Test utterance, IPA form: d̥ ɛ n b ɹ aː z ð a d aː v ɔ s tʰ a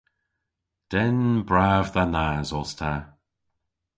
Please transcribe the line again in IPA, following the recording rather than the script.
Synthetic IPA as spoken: d̥ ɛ n b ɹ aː v ð a n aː z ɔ s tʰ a